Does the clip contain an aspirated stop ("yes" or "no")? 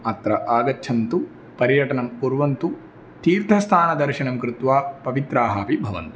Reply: yes